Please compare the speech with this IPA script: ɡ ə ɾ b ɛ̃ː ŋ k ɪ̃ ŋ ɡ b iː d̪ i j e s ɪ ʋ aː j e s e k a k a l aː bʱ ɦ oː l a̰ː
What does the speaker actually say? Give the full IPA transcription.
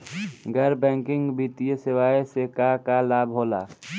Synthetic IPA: ɡ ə ɾ b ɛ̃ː ŋ k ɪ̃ ŋ ɡ b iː t̪ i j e s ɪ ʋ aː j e s e k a k a l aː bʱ ɦ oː l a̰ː